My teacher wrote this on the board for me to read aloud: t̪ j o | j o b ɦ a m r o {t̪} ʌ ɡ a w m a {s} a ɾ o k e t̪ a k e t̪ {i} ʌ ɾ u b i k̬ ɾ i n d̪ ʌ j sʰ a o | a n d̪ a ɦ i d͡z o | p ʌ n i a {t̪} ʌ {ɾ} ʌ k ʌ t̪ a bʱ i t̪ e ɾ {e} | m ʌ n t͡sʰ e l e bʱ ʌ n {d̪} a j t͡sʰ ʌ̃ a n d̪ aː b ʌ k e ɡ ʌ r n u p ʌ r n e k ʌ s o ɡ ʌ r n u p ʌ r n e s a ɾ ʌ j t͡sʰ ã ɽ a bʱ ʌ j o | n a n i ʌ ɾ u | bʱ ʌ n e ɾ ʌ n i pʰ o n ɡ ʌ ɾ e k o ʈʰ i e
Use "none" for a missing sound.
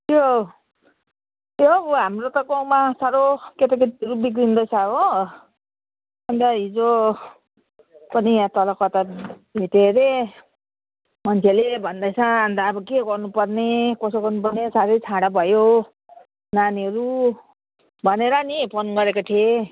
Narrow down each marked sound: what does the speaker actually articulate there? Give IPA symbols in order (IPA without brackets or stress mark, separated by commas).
t̪, s, i, t̪, l, e, d̪